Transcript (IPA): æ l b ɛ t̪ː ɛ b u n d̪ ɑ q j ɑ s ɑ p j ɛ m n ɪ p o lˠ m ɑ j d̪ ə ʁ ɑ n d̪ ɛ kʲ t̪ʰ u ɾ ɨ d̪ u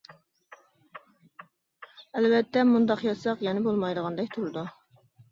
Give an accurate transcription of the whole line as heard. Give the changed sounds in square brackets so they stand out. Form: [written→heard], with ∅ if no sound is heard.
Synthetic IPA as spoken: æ l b ɛ t̪ː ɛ [b→m] u n d̪ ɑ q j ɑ s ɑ [p→q] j ɛ [m→∅] n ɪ [p→b] o lˠ m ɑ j d̪ ə ʁ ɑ n d̪ ɛ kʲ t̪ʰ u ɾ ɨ d̪ u